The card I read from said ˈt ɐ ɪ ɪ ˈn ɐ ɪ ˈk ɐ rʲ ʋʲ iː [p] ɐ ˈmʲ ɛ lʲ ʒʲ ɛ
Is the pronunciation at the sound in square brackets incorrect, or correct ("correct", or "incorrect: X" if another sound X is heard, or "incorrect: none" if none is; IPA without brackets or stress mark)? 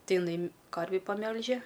correct